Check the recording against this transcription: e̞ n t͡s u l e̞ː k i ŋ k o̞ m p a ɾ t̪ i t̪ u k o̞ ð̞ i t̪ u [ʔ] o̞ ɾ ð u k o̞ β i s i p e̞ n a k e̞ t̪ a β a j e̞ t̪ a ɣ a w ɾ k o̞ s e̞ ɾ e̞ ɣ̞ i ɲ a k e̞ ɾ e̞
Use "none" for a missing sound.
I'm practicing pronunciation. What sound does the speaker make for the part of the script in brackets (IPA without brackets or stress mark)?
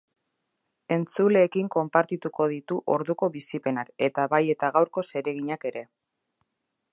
ʔ